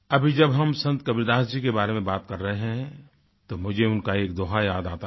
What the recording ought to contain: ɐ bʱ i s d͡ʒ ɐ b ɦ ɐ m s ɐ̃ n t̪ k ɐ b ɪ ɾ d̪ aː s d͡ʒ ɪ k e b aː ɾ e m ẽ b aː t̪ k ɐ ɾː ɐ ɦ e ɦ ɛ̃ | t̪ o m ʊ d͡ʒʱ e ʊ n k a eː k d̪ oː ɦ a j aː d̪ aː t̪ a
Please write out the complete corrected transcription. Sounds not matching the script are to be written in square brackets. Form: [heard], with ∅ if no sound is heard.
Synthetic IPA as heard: ɐ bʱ i [∅] d͡ʒ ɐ b ɦ ɐ m s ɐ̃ n t̪ k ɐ b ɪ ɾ d̪ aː s d͡ʒ [i] k e b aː ɾ e m ẽ b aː t̪ k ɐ ɾː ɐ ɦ e ɦ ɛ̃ | t̪ o m ʊ d͡ʒʱ e ʊ n k a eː k d̪ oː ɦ a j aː d̪ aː t̪ a